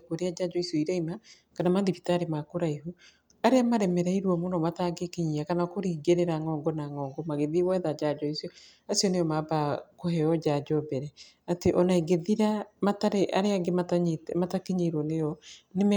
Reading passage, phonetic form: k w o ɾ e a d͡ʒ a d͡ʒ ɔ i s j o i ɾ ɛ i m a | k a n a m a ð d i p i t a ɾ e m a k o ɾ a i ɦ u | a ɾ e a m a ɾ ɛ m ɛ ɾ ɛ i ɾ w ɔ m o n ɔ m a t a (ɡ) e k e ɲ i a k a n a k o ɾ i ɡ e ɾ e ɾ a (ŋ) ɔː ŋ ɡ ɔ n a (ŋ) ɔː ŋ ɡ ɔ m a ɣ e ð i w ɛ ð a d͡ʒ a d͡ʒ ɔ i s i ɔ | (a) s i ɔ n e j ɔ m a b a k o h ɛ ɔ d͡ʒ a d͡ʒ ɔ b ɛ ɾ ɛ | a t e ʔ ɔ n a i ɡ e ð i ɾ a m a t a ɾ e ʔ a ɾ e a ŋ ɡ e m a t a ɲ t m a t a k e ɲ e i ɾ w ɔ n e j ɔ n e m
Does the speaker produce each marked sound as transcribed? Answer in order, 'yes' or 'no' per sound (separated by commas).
yes, yes, yes, yes